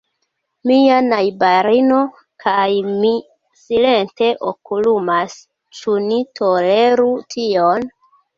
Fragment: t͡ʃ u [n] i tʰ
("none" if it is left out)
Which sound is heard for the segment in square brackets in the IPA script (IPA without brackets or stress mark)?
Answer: n